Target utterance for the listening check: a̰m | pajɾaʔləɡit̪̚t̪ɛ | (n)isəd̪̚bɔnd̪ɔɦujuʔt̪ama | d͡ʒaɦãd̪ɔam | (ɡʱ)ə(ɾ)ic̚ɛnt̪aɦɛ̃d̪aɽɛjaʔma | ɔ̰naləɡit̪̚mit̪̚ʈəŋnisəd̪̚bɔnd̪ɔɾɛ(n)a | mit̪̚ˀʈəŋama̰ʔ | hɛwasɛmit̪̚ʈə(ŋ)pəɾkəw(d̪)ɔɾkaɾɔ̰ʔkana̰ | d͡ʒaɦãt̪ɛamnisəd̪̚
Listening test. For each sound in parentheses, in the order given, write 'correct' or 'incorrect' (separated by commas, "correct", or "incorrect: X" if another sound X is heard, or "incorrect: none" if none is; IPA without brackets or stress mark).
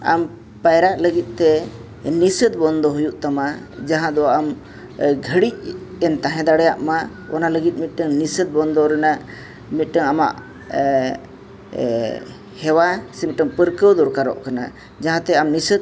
correct, correct, incorrect: ɽ, correct, correct, correct